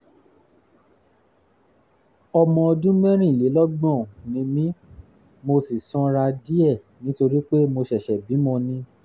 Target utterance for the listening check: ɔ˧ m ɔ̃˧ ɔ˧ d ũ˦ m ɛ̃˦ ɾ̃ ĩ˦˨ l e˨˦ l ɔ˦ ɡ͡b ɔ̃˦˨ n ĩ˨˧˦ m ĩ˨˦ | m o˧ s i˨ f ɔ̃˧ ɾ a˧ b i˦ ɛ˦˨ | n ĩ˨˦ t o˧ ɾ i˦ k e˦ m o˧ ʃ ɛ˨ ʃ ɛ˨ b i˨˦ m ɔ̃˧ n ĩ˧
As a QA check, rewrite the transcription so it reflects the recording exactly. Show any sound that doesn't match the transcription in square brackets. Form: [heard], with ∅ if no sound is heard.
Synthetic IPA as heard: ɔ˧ m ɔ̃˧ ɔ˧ d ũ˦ m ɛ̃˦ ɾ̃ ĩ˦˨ l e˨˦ l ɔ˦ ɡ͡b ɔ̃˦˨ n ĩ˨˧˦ m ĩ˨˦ | m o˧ s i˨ [s] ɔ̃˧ ɾ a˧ [d] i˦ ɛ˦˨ | n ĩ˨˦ t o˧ ɾ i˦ [k͡p] e˦ m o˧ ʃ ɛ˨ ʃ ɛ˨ b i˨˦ m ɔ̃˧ n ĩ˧